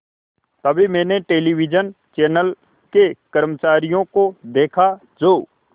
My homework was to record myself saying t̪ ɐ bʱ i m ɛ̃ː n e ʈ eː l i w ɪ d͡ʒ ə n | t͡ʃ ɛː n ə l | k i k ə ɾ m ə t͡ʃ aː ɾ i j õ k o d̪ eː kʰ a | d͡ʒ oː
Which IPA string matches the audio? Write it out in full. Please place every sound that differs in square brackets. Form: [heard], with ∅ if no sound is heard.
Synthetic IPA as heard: t̪ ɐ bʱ i m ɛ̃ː n e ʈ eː l i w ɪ d͡ʒ ə n | t͡ʃ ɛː n ə l | k [e] k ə ɾ m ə t͡ʃ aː ɾ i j õ k o d̪ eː kʰ a | d͡ʒ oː